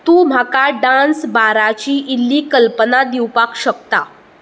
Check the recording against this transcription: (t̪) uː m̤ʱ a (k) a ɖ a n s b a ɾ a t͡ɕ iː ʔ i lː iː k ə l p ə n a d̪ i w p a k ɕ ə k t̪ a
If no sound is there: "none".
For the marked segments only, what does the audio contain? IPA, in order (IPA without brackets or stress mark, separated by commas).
t̪, k